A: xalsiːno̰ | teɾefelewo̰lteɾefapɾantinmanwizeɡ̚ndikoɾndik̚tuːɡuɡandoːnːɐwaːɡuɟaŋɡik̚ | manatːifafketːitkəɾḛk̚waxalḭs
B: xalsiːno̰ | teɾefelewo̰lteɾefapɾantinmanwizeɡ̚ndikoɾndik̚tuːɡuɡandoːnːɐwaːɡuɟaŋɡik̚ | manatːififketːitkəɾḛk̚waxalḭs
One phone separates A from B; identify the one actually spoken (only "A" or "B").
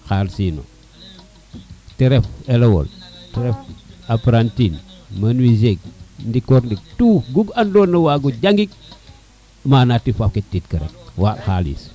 A